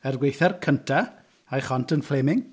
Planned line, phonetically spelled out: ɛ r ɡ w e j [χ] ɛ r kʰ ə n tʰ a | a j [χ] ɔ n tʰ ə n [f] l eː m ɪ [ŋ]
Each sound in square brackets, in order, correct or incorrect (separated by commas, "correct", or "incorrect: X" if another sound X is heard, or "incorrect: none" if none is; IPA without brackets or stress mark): incorrect: θ, correct, correct, correct